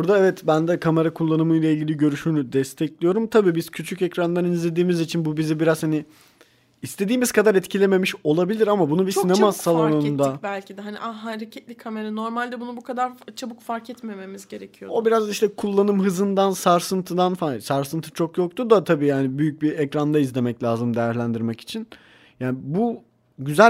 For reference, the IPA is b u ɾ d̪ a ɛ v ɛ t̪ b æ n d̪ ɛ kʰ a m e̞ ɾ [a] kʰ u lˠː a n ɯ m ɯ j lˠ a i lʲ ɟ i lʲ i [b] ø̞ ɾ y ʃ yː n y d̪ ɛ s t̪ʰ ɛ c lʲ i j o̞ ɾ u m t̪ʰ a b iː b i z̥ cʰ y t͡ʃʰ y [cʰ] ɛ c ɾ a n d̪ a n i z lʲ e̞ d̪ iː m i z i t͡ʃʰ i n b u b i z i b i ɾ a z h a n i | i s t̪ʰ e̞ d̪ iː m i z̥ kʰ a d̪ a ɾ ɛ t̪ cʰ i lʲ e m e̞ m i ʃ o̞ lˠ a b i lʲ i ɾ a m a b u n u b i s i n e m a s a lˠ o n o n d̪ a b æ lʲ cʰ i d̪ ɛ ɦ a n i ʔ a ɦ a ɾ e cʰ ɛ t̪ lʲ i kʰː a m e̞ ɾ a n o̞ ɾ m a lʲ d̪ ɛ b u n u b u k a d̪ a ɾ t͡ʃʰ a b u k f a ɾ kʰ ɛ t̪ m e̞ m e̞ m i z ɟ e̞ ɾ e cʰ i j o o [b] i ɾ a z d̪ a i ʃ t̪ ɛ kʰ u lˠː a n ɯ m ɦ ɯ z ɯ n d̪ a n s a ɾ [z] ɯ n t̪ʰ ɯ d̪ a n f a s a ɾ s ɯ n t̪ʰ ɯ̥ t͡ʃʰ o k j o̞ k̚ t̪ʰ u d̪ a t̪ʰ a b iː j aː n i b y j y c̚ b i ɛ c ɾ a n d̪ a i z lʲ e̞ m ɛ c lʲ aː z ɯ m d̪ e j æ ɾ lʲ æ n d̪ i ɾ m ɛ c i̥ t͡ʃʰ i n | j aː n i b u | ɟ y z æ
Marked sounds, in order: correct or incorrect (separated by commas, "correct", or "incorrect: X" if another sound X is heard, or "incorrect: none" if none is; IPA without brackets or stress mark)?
correct, incorrect: ɟ, incorrect: c, correct, incorrect: s